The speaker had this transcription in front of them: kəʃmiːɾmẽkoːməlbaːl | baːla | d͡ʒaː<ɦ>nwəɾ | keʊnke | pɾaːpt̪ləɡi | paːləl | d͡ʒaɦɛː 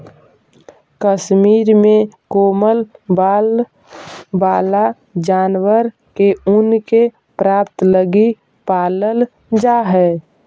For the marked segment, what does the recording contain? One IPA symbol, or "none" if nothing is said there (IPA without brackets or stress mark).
none